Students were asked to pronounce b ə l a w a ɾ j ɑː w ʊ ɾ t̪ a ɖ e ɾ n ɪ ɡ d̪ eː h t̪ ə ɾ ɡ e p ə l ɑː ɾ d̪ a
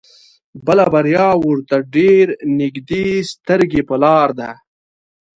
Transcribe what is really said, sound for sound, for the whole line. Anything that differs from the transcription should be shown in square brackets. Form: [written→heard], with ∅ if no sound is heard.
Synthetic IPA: b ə l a [w→b] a ɾ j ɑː w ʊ ɾ t̪ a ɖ e ɾ n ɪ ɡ d̪ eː [h→s] t̪ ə ɾ ɡ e p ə l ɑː ɾ d̪ a